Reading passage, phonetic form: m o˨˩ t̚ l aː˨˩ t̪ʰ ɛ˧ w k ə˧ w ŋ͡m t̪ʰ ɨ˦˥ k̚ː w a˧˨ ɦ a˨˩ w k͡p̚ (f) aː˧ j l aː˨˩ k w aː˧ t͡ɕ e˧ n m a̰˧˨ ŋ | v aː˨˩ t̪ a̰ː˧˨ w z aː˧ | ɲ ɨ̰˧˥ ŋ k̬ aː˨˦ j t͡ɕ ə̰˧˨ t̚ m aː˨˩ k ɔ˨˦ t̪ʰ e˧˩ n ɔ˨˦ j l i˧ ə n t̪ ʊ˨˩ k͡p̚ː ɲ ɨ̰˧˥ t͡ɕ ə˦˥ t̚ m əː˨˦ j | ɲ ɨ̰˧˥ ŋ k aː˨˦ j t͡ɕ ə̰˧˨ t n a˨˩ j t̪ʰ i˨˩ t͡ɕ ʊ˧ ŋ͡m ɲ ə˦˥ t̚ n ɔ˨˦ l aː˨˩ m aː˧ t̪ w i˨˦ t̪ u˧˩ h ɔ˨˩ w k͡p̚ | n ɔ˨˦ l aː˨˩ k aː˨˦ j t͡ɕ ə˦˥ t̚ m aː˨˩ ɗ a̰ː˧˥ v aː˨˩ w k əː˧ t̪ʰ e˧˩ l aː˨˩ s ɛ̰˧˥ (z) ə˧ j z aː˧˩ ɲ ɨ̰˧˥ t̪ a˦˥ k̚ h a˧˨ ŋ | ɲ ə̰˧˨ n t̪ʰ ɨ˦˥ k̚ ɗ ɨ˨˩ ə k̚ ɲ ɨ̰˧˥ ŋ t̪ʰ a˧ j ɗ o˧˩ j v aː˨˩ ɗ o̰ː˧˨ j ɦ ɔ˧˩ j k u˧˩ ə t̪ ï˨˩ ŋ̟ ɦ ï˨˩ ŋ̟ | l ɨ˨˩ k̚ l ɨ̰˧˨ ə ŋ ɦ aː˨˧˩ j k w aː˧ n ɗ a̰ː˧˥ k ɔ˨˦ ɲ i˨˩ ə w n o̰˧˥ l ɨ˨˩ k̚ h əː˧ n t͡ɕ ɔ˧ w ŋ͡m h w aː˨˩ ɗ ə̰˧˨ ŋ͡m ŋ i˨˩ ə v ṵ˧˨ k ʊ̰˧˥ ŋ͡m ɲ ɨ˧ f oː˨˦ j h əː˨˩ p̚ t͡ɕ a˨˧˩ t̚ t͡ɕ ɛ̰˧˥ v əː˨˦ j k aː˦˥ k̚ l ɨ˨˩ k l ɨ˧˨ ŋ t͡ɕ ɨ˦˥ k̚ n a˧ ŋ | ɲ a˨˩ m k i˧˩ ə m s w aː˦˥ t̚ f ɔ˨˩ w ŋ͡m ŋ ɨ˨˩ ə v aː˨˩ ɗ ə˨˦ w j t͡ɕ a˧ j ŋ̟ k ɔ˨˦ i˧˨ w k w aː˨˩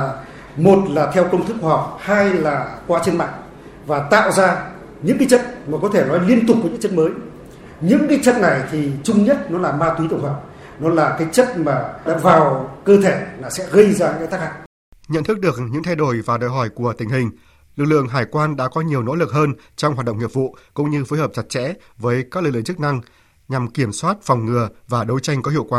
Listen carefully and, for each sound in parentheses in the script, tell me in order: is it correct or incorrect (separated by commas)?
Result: incorrect, incorrect